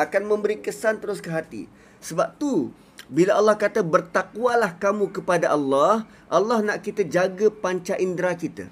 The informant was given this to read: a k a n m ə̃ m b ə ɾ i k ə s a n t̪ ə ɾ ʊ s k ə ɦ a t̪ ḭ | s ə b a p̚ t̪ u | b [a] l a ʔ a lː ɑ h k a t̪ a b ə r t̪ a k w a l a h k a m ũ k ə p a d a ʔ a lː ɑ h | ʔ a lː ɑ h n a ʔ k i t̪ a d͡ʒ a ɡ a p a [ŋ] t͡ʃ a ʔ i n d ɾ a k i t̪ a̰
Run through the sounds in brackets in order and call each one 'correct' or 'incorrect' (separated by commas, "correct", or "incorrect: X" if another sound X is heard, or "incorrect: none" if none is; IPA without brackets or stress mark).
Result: incorrect: i, incorrect: ɲ